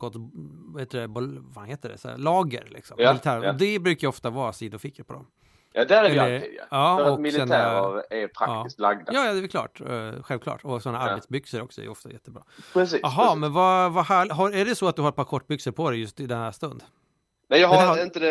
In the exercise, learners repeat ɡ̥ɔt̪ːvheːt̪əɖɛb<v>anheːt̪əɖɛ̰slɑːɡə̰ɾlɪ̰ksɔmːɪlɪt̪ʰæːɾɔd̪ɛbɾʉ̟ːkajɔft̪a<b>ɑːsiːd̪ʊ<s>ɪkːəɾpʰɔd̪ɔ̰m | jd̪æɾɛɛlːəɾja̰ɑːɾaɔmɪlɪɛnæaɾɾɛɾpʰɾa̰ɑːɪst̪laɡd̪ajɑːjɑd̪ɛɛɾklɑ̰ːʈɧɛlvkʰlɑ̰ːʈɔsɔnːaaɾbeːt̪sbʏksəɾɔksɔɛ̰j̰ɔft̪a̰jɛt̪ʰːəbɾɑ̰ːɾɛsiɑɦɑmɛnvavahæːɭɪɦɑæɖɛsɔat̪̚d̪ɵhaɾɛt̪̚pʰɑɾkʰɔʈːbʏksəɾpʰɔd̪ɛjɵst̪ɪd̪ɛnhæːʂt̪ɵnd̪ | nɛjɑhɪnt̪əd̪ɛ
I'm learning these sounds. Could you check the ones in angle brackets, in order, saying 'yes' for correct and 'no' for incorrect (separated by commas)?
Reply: yes, no, no